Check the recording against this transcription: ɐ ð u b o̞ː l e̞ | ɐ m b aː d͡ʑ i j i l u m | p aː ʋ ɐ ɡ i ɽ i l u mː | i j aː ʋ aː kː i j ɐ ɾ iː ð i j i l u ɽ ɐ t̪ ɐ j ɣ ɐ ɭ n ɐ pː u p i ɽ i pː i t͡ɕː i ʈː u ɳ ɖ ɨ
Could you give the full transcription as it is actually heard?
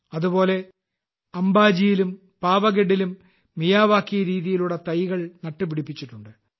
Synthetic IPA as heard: ɐ ð u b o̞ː l e̞ | ɐ m b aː d͡ʑ i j i l u m | p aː ʋ ɐ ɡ e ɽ i l u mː | i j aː ʋ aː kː i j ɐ ɾ iː ð i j i l u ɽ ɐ t̪ ɐ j ɣ ɐ ɭ n ɐ ʈː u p i ɽ i pː i t͡ɕː i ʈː u ɳ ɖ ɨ